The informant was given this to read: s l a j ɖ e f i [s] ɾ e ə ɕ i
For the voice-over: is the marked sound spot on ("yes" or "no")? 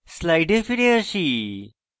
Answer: no